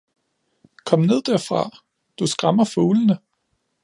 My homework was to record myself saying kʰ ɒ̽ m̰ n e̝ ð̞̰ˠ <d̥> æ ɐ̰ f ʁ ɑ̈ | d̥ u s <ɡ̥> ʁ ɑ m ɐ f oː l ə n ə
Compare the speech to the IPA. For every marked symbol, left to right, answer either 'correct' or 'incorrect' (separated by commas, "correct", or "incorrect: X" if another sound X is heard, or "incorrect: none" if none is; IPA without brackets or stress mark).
correct, correct